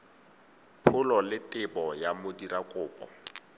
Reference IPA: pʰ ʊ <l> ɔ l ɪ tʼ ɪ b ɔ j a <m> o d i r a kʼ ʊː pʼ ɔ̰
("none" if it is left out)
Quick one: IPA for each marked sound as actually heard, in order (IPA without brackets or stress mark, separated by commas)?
l, m